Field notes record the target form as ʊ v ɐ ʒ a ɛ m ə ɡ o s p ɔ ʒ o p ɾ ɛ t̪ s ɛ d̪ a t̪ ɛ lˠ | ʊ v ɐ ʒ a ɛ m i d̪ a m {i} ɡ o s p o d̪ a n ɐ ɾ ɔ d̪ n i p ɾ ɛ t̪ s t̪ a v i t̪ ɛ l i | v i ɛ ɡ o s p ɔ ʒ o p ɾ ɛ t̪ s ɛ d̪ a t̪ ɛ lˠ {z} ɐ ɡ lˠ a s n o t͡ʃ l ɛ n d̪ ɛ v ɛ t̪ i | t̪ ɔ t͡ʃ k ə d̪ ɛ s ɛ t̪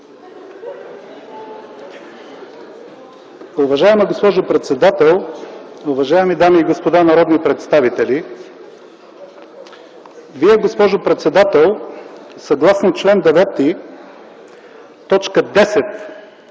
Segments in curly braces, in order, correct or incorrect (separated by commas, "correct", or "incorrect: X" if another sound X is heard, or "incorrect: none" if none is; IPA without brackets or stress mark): incorrect: iː, incorrect: s